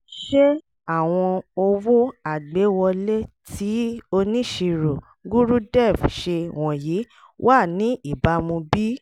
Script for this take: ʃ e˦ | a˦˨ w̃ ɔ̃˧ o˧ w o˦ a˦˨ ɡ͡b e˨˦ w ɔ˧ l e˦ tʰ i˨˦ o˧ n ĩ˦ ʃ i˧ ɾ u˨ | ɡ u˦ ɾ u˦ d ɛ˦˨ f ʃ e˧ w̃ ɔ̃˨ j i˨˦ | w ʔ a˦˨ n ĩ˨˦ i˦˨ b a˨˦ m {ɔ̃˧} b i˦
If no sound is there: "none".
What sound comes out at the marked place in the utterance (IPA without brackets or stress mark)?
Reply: ũ˧